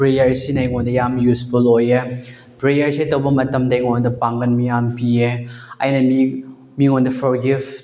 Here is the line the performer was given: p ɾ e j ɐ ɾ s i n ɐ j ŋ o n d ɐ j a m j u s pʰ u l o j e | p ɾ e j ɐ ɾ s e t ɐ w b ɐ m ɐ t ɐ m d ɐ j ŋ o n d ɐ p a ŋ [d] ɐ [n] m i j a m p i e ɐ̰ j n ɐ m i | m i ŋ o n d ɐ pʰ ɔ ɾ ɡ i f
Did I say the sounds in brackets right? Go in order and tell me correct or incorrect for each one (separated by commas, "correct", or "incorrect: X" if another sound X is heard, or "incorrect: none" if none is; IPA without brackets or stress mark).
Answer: incorrect: ɡ, correct